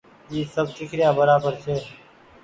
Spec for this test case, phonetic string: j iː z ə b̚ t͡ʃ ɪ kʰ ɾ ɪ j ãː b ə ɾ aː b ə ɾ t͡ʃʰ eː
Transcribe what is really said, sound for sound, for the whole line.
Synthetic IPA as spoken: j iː s ə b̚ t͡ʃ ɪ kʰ ɾ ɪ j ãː b ə ɾ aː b ə ɾ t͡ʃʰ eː